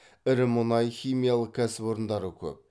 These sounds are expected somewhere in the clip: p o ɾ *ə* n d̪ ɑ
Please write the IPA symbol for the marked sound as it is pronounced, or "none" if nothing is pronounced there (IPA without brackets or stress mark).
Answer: ə